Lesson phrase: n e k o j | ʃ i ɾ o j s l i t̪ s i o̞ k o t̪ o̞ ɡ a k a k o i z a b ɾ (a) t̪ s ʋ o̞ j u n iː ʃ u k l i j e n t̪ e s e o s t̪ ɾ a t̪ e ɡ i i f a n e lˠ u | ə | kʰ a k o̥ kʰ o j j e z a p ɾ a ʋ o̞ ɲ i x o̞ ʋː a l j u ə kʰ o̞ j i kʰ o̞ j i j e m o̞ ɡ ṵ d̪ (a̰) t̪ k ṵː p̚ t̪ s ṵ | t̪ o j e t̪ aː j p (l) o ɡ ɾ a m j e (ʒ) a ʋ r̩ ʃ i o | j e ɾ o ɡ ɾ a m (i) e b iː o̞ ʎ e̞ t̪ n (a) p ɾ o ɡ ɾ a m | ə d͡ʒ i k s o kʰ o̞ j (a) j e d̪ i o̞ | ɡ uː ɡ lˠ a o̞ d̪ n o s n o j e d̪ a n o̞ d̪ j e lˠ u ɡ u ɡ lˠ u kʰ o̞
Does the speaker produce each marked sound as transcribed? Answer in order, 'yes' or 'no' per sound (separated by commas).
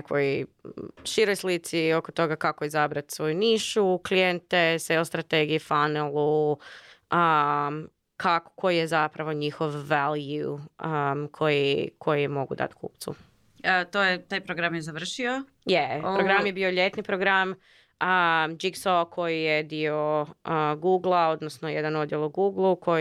yes, yes, no, no, no, no, no